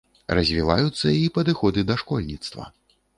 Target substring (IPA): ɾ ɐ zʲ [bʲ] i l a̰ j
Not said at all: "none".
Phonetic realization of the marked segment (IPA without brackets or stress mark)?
vʲ